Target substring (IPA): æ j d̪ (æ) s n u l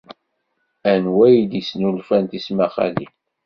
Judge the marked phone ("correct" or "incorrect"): incorrect